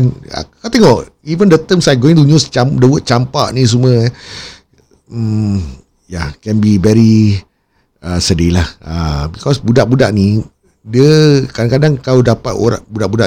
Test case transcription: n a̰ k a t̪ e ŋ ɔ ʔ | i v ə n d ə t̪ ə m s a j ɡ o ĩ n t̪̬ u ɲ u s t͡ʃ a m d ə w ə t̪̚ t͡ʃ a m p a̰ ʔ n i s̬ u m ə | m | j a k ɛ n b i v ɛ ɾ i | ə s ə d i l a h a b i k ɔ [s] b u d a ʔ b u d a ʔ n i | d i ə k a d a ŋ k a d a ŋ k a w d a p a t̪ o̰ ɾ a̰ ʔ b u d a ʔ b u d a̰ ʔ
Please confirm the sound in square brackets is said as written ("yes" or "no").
yes